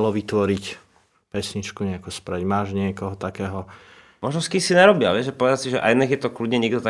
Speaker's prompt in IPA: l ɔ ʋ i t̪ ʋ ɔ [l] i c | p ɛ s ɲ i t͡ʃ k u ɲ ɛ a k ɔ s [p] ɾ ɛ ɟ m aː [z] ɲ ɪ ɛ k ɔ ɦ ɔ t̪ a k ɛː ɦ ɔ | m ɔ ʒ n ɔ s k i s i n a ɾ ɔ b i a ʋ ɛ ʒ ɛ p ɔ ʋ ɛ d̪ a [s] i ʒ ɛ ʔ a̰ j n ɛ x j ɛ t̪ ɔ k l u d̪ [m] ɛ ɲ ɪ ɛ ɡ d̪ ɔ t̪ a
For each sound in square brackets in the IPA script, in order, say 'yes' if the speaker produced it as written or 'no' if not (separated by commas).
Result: no, yes, no, yes, no